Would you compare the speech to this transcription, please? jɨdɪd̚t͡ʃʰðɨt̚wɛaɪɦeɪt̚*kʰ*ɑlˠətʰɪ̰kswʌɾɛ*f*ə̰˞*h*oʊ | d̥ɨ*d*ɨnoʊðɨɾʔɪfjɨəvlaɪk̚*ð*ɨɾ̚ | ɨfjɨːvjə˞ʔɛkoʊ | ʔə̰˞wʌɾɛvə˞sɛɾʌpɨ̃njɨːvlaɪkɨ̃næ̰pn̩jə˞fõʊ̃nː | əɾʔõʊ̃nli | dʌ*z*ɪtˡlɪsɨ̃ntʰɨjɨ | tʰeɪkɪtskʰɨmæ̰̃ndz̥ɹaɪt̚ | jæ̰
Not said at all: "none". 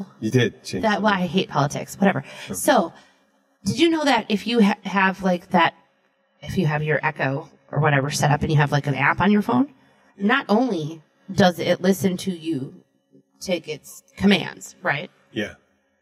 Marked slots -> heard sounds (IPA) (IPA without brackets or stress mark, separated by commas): pʰ, v, s, d͡ʒ, ð, z